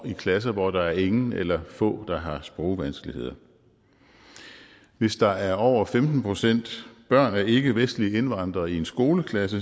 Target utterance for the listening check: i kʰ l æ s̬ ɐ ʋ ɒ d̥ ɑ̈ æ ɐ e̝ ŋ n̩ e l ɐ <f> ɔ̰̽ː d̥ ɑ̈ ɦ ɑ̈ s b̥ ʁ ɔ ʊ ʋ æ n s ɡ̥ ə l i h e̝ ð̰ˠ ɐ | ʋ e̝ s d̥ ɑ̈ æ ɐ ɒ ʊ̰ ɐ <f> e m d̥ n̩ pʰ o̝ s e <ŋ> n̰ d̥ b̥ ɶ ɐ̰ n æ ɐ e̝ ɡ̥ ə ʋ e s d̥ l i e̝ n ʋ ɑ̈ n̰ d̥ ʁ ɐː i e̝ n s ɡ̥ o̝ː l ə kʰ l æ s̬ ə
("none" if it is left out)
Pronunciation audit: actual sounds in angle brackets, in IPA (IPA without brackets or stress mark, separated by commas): f, f, none